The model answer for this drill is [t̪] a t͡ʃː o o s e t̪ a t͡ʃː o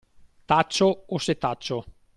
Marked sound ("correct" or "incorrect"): correct